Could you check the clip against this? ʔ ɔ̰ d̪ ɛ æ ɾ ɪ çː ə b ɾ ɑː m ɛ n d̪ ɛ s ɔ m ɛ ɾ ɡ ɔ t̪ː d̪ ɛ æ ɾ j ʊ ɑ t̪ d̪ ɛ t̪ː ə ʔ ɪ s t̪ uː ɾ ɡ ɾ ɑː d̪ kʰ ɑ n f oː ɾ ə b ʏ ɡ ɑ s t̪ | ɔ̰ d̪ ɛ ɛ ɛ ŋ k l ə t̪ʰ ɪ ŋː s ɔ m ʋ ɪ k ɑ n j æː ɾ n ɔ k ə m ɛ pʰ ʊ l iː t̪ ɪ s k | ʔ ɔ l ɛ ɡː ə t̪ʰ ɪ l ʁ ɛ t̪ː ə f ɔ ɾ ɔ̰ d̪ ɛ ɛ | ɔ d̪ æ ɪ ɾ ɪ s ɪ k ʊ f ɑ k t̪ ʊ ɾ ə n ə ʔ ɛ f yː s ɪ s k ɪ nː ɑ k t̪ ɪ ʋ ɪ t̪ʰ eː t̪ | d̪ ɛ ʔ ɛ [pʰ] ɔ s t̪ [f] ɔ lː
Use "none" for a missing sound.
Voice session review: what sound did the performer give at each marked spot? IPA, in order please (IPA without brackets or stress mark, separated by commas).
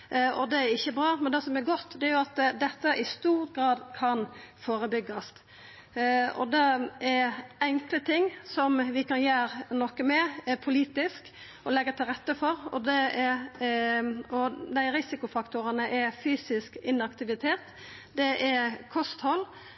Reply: kʰ, h